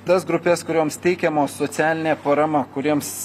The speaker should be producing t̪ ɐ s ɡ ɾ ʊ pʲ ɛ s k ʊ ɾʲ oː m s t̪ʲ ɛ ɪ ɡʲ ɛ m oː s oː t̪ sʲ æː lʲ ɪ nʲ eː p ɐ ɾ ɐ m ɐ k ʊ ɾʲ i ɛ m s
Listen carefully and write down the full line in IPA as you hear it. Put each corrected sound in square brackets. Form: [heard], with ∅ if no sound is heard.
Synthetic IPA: t̪ ɐ s ɡ ɾ ʊ pʲ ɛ s k ʊ ɾʲ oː m s t̪ʲ ɛ ɪ [kʲ] ɛ m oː s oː t̪ sʲ æː lʲ ɪ nʲ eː p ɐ ɾ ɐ m ɐ k ʊ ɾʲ i ɛ m s

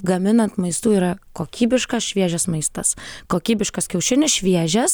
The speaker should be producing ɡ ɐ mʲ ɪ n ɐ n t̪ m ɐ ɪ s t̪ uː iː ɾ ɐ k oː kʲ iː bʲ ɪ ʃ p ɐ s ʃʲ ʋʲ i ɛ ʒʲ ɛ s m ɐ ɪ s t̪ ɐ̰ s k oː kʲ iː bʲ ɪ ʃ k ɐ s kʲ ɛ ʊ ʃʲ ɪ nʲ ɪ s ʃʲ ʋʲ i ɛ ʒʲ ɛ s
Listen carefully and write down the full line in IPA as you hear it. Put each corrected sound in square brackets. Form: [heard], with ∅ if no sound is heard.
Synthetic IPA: ɡ ɐ mʲ ɪ n ɐ n t̪ m ɐ ɪ s t̪ uː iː ɾ ɐ k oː kʲ iː bʲ ɪ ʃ [k] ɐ s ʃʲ ʋʲ i ɛ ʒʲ ɛ s m ɐ ɪ s t̪ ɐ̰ s k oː kʲ iː bʲ ɪ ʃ k ɐ s kʲ ɛ ʊ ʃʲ ɪ nʲ ɪ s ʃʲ ʋʲ i ɛ ʒʲ ɛ s

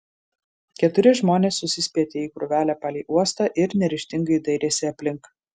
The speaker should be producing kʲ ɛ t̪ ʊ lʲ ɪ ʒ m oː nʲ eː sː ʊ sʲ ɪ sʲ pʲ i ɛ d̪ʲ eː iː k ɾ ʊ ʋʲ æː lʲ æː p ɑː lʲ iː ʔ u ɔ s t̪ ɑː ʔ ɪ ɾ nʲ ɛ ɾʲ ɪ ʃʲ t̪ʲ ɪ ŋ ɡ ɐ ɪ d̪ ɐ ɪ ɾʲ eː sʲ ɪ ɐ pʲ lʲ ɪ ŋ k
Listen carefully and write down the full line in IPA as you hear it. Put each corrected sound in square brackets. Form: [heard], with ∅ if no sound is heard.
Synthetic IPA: kʲ ɛ t̪ ʊ [ɾʲ] ɪ ʒ m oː nʲ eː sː ʊ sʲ ɪ sʲ pʲ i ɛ [t̪ʲ] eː iː k ɾ ʊ ʋʲ æː lʲ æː p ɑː lʲ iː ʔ u ɔ s t̪ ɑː ʔ ɪ ɾ nʲ ɛ ɾʲ ɪ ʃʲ t̪ʲ ɪ ŋ ɡ ɐ ɪ d̪ ɐ ɪ ɾʲ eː sʲ ɪ ɐ pʲ lʲ ɪ ŋ k

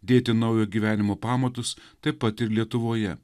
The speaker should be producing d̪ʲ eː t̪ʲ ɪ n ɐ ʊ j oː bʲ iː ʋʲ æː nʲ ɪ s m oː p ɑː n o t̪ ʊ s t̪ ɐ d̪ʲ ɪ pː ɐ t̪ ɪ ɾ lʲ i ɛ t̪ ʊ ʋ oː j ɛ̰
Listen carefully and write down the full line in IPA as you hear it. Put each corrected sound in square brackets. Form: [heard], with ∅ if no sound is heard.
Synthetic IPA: d̪ʲ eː t̪ʲ ɪ n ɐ ʊ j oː [ɡʲ] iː ʋʲ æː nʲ ɪ [∅] m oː p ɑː [m] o t̪ ʊ s t̪ ɐ [∅] ɪ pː ɐ t̪ ɪ ɾ lʲ i ɛ t̪ ʊ ʋ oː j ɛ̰

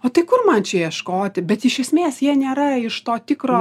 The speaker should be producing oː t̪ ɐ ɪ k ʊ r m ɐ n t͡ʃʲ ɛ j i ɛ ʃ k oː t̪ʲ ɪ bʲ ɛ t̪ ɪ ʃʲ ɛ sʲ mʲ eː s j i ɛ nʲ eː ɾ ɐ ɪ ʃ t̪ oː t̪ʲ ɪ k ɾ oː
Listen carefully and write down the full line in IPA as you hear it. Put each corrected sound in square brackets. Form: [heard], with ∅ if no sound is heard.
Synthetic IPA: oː t̪ ɐ ɪ k ʊ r m ɐ n t͡ʃʲ ɛ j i ɛ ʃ k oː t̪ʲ ɪ bʲ ɛ t̪ ɪ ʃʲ ɛ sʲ mʲ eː s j i ɛ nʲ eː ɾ ɐ ɪ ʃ t̪ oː t̪ʲ ɪ k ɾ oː

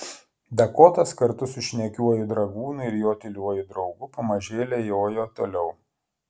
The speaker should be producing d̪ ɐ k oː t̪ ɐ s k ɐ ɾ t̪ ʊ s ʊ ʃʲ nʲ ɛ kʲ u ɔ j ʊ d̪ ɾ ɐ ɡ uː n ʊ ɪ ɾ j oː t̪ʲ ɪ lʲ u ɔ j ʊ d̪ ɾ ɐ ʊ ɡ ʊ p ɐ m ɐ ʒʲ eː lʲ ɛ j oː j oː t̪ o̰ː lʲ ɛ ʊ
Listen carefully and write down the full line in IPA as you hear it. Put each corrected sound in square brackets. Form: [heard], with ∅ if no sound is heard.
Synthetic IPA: d̪ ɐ k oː t̪ ɐ s k ɐ ɾ t̪ ʊ s ʊ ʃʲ nʲ ɛ kʲ u ɔ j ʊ d̪ ɾ ɐ ɡ uː n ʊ ɪ ɾ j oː t̪ʲ ɪ lʲ u ɔ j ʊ d̪ ɾ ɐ ʊ ɡ ʊ p ɐ m ɐ ʒʲ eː lʲ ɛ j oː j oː t̪ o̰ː lʲ ɛ ʊ

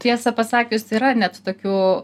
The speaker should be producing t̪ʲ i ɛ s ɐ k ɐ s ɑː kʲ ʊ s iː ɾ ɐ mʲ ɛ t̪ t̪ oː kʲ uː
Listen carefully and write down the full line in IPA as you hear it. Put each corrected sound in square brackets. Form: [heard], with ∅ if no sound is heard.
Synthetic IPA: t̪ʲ i ɛ s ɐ [p] ɐ s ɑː kʲ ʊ s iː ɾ ɐ [nʲ] ɛ t̪ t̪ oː kʲ uː

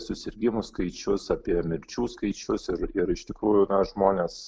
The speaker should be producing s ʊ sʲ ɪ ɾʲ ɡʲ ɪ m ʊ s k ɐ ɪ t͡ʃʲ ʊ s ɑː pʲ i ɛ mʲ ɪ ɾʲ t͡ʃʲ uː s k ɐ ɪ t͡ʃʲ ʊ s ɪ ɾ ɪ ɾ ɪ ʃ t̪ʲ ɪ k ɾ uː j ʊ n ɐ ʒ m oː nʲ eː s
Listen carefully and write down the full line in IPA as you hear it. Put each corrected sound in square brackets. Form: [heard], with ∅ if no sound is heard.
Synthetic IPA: s ʊ sʲ ɪ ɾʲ ɡʲ ɪ m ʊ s k ɐ ɪ t͡ʃʲ ʊ s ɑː pʲ i ɛ mʲ ɪ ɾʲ t͡ʃʲ uː s k ɐ ɪ t͡ʃʲ ʊ s ɪ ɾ ɪ ɾ ɪ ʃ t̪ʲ ɪ k ɾ uː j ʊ n ɐ ʒ m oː nʲ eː s

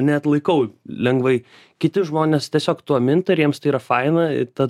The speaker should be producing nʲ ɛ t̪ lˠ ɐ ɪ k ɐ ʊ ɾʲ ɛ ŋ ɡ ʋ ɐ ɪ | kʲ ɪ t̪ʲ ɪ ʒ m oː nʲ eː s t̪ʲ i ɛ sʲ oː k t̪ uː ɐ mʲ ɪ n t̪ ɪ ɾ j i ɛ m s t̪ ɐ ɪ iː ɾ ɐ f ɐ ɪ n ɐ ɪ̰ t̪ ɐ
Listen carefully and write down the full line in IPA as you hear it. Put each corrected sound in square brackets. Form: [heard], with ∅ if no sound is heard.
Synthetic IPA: nʲ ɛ t̪ lˠ ɐ ɪ k ɐ ʊ [lʲ] ɛ ŋ ɡ ʋ ɐ ɪ | kʲ ɪ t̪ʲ ɪ ʒ m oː nʲ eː s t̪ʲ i ɛ sʲ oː k t̪ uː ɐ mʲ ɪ n t̪ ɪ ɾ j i ɛ m s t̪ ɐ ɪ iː ɾ ɐ f ɐ ɪ n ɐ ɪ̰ t̪ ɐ

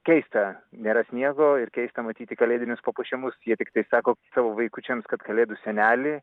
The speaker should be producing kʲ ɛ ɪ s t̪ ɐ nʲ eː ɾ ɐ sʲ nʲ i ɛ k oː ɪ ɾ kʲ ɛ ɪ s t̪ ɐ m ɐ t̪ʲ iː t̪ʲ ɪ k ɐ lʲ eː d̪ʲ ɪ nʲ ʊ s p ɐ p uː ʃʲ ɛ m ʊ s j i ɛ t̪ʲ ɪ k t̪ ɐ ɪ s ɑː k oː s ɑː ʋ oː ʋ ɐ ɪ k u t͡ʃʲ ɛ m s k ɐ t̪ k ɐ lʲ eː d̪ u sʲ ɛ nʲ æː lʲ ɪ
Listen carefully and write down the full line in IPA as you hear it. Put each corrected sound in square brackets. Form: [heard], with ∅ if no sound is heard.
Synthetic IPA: kʲ ɛ ɪ s t̪ ɐ nʲ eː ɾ ɐ sʲ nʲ i ɛ [ɡ] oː ɪ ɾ kʲ ɛ ɪ s t̪ ɐ m ɐ t̪ʲ iː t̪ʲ ɪ k ɐ lʲ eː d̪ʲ ɪ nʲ ʊ s p ɐ p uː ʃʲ ɛ m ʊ s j i ɛ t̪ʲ ɪ k t̪ ɐ ɪ s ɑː k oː s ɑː ʋ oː ʋ ɐ ɪ k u t͡ʃʲ ɛ m s k ɐ t̪ k ɐ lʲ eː d̪ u sʲ ɛ nʲ æː lʲ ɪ

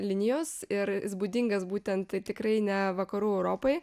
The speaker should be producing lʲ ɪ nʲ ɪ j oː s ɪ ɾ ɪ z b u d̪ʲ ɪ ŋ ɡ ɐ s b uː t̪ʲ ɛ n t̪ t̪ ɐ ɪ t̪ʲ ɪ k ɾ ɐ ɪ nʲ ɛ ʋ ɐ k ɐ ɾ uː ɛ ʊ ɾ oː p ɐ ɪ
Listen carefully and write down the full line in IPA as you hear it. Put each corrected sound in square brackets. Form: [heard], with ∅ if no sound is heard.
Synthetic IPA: lʲ ɪ nʲ ɪ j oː s ɪ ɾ ɪ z b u d̪ʲ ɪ ŋ ɡ ɐ s b uː t̪ʲ ɛ n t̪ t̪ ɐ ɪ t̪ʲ ɪ k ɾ ɐ ɪ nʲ ɛ ʋ ɐ k ɐ ɾ uː ɛ ʊ ɾ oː p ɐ ɪ

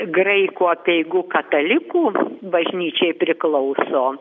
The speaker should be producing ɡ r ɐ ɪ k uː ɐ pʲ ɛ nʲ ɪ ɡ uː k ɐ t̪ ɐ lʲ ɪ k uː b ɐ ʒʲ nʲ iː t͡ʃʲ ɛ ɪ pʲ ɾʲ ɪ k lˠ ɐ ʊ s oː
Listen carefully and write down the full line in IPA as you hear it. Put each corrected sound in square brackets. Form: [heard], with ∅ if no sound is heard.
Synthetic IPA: ɡ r ɐ ɪ k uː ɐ pʲ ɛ [∅] ɪ ɡ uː k ɐ t̪ ɐ lʲ ɪ k uː b ɐ ʒʲ nʲ iː t͡ʃʲ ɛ ɪ pʲ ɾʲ ɪ k lˠ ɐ ʊ s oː

